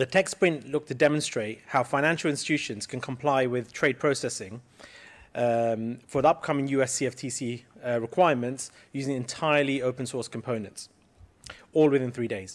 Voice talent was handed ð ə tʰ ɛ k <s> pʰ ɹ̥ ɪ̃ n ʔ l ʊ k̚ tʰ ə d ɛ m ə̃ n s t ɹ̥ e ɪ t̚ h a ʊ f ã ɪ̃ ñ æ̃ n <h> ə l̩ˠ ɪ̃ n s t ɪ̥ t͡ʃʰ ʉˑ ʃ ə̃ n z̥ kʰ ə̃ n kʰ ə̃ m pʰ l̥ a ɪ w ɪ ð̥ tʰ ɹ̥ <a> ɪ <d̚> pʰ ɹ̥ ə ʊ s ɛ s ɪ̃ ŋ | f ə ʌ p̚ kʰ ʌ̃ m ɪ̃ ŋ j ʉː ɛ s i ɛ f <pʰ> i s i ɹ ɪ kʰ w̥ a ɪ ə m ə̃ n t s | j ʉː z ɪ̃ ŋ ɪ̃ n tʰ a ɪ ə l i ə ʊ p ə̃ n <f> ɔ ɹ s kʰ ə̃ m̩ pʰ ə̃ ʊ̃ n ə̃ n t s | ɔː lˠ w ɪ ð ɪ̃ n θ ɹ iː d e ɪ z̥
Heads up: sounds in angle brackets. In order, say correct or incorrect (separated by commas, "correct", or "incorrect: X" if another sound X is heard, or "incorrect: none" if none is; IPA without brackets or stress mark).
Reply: correct, incorrect: ʃ, incorrect: e, correct, incorrect: tʰ, incorrect: s